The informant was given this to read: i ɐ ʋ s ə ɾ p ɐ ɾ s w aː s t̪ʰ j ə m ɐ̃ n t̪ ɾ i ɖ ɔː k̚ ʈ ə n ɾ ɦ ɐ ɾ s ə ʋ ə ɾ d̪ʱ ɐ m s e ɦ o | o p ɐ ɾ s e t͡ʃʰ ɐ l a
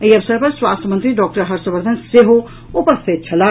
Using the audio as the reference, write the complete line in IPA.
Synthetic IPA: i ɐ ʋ s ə ɾ p ɐ ɾ s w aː s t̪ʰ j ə m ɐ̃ n t̪ ɾ i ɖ ɔː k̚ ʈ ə ɾ ɦ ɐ ɾ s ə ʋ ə ɾ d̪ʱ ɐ n s e ɦ o | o p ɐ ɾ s e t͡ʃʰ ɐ l a